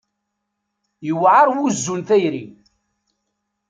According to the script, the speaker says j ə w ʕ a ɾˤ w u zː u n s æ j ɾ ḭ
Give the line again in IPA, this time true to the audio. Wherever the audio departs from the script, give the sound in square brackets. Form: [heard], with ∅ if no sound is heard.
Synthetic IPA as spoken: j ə w ʕ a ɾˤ w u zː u n [θ] æ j ɾ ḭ